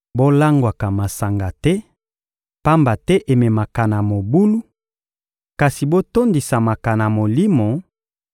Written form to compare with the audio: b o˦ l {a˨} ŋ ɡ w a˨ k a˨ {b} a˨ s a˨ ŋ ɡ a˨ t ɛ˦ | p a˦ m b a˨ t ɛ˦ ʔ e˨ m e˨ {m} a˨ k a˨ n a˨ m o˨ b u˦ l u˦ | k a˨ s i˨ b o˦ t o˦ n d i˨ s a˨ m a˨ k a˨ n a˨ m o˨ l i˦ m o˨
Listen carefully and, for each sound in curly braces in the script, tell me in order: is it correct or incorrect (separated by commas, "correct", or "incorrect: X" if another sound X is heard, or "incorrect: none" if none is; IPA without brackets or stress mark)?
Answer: incorrect: a˦, incorrect: m, correct